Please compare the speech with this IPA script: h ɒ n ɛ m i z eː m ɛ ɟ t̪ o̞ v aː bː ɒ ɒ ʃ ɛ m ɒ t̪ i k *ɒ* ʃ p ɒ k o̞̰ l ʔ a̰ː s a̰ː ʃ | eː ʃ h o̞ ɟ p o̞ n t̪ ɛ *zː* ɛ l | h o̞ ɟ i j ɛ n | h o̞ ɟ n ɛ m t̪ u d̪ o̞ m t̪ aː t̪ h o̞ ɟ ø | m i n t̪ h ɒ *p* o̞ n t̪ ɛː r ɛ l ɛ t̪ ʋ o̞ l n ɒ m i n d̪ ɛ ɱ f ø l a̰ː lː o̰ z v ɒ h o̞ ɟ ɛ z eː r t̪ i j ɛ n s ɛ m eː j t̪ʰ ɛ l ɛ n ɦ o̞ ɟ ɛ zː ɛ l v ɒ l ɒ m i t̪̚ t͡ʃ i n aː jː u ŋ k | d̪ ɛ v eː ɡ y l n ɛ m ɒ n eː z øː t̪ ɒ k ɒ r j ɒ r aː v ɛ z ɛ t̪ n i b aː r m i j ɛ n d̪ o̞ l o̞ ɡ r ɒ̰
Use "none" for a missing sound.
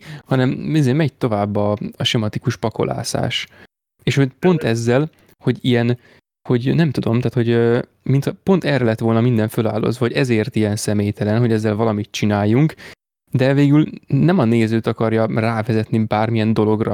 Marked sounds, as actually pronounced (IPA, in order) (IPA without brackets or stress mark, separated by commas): u, zː, p